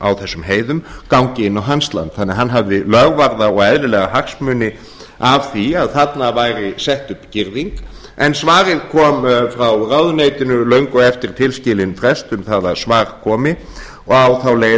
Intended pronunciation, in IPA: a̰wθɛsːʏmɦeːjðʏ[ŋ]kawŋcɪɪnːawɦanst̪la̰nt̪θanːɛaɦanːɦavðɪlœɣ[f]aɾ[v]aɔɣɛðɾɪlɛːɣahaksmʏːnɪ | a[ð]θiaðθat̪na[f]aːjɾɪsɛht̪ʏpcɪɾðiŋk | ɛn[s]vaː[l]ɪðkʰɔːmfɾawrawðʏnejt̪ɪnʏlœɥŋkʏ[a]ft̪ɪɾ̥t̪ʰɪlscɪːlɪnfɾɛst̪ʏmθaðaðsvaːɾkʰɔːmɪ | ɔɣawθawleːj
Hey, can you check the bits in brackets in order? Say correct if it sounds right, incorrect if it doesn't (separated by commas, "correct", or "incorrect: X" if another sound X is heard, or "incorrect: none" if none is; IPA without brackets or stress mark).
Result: incorrect: m, incorrect: v, incorrect: ð, incorrect: v, incorrect: v, correct, incorrect: ɾ, incorrect: ɛ